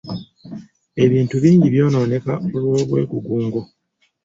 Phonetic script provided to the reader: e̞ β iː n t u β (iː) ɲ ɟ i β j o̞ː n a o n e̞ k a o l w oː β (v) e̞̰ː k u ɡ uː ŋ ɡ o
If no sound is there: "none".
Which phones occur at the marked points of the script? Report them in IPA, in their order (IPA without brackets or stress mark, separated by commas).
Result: iː, w